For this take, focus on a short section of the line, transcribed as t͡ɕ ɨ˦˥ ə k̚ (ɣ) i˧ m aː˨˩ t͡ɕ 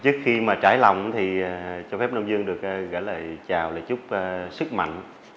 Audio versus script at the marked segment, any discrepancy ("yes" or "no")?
yes